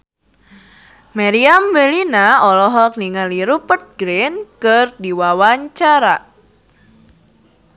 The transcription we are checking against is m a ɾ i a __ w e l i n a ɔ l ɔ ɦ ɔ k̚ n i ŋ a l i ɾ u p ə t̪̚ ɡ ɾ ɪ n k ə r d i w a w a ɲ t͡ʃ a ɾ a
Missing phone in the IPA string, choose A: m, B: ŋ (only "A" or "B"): A